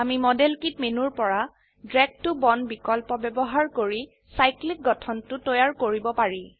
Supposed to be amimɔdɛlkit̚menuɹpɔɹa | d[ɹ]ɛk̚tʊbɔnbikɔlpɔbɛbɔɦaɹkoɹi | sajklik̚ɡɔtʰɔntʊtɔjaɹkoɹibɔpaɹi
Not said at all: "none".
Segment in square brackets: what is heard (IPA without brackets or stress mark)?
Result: ɹ